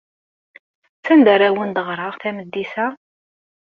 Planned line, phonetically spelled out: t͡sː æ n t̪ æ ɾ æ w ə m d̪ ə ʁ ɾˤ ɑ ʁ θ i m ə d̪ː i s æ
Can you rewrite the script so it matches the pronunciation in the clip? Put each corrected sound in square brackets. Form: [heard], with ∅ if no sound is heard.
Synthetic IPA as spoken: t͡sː æ n [d̪] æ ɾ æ w ə [n] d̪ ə ʁ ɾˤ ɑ ʁ θ [æ] m ə d̪ː i s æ